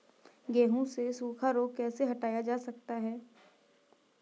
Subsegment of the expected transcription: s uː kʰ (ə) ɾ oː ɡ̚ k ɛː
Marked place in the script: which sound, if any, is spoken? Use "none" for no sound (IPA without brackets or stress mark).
a